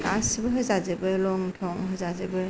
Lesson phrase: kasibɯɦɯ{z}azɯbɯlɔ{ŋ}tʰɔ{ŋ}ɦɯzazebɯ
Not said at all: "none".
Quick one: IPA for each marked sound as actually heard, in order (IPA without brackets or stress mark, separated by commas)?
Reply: z, ŋ, ŋ